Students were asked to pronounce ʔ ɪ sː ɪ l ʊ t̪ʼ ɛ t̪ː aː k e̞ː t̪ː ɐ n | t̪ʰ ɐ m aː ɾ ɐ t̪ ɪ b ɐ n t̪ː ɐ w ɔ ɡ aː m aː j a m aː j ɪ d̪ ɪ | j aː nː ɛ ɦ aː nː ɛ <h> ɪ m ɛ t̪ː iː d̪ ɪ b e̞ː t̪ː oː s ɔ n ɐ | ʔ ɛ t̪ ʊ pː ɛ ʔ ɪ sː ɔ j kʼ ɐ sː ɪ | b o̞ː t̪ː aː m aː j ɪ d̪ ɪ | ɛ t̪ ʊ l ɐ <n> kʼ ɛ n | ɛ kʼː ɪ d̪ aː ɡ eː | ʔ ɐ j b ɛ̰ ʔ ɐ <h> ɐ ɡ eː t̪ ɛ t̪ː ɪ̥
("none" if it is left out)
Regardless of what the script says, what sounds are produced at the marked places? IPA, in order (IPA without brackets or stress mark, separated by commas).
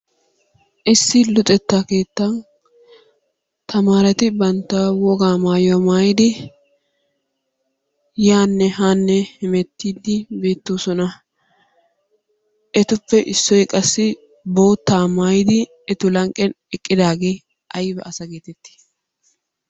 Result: h, ŋ, s